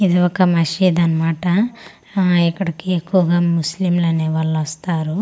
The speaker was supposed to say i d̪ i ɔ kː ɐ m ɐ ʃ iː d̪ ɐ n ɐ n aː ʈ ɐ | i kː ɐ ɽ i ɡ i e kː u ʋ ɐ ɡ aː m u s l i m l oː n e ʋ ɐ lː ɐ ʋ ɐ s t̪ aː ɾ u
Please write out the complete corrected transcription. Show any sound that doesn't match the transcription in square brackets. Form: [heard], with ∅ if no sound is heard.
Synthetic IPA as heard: i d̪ i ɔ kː ɐ m ɐ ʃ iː d̪ ɐ n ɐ [m] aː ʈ ɐ | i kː ɐ ɽ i [k] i e kː u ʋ ɐ ɡ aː m u s l i m l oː n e ʋ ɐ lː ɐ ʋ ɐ s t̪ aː ɾ u